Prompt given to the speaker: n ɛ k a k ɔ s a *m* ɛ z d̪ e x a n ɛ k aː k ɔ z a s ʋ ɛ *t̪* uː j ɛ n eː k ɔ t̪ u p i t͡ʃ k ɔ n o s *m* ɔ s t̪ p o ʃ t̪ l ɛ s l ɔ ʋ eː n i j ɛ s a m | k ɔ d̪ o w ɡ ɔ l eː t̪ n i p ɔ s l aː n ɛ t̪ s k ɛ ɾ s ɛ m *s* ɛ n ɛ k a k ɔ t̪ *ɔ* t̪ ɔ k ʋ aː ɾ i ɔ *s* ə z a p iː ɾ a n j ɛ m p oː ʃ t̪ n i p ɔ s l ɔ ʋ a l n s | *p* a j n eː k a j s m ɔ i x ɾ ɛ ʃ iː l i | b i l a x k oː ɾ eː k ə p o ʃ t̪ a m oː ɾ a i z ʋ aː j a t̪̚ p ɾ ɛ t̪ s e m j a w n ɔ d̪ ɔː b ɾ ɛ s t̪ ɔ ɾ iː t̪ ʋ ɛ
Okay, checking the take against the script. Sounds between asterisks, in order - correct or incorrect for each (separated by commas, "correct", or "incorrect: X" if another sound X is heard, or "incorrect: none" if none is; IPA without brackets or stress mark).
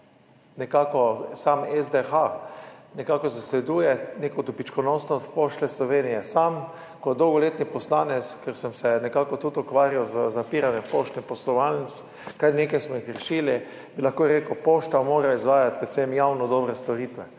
correct, incorrect: d̪, incorrect: n, correct, incorrect: u, incorrect: z, incorrect: k